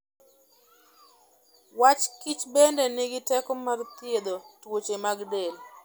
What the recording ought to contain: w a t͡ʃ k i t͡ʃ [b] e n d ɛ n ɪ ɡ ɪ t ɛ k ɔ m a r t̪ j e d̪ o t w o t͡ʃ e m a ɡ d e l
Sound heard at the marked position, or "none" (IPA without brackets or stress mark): b